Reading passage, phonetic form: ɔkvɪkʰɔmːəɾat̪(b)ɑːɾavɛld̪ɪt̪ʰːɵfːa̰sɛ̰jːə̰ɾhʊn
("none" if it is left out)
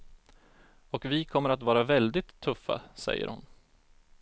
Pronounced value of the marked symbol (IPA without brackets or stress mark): v